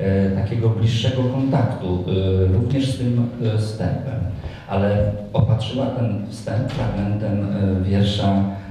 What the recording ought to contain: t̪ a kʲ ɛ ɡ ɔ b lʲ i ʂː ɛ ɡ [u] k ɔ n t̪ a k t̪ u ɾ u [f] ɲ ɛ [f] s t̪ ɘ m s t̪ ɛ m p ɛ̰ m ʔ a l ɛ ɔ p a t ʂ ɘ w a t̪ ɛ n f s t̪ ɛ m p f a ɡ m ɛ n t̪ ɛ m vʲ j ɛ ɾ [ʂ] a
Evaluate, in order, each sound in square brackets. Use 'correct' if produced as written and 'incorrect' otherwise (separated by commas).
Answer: incorrect, incorrect, incorrect, correct